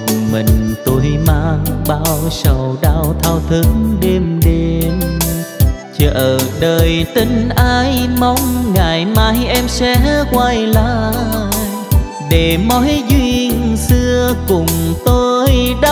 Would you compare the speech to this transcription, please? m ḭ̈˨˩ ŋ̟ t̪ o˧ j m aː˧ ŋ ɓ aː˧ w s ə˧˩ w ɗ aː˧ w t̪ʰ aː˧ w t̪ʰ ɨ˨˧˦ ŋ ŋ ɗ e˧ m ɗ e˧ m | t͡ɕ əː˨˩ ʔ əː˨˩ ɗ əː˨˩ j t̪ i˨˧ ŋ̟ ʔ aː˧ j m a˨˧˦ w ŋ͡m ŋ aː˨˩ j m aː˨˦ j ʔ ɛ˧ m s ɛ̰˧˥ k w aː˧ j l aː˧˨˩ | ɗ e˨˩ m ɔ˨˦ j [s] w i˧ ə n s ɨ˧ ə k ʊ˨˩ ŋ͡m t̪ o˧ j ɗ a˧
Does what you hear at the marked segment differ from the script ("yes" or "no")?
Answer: yes